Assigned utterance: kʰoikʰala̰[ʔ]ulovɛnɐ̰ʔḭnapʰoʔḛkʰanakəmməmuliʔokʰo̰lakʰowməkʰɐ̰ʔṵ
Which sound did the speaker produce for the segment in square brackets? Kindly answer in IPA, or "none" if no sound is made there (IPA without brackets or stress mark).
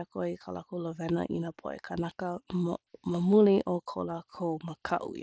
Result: k